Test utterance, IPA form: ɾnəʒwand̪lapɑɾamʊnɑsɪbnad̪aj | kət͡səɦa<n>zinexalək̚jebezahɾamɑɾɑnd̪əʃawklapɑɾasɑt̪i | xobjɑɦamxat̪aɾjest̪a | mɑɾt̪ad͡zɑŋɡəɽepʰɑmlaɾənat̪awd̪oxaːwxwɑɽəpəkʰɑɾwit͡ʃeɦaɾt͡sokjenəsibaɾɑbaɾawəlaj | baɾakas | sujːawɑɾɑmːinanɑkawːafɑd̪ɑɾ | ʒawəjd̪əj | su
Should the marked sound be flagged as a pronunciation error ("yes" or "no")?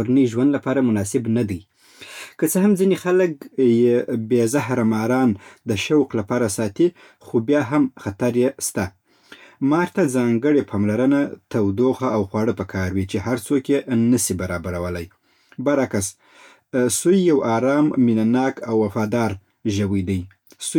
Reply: yes